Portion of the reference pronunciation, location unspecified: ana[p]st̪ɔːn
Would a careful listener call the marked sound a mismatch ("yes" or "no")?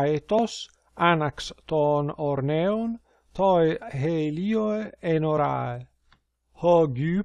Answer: yes